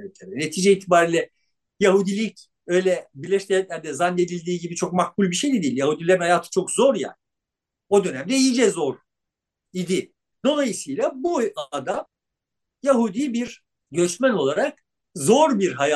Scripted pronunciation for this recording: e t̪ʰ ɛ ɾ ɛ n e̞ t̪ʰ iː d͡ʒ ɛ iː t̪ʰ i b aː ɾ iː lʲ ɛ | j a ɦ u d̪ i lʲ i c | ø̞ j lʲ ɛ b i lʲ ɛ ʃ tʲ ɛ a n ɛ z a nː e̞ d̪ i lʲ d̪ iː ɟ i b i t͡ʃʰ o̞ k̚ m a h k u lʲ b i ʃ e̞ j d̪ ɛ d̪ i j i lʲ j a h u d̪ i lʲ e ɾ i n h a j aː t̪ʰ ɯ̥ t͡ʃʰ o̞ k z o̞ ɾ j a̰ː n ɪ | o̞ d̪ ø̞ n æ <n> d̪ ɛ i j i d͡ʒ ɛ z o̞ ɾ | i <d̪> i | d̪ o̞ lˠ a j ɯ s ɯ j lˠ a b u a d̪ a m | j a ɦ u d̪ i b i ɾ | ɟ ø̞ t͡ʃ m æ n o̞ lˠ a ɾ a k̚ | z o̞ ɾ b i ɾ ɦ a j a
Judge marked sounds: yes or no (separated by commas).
no, yes